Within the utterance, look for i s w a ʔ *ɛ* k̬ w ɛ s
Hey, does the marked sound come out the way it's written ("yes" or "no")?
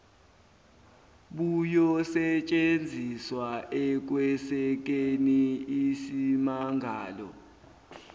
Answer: yes